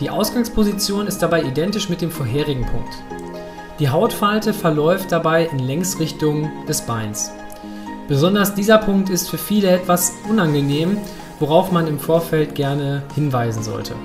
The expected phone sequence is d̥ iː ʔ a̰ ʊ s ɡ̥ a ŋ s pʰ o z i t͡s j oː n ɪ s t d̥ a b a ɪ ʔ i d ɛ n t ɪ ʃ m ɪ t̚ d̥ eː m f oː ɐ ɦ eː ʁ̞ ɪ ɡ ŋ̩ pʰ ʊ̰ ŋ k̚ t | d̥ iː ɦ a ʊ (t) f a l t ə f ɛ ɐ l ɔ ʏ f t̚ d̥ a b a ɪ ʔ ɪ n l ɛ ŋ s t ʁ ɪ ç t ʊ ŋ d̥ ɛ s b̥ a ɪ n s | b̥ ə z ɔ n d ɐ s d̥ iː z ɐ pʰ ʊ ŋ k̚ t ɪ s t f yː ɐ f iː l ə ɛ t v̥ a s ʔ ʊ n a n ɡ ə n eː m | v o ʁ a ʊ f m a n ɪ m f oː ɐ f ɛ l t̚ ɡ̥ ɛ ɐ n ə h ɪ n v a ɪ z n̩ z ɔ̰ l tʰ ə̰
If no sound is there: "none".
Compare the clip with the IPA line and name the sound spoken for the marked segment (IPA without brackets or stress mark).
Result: t